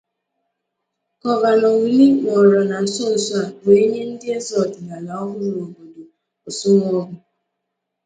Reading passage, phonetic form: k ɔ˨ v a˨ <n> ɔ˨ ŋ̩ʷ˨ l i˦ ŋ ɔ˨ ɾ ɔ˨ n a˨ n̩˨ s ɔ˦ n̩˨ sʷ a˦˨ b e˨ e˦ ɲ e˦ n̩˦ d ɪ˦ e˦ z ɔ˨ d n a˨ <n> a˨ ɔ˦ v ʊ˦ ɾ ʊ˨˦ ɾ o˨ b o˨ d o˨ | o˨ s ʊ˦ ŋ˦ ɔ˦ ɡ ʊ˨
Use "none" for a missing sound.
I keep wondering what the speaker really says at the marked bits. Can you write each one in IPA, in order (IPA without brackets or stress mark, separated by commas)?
n, n